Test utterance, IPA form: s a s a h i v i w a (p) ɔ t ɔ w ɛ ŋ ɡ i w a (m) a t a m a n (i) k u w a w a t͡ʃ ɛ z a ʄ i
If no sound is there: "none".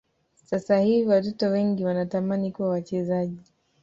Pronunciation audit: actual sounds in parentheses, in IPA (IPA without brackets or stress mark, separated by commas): t, n, i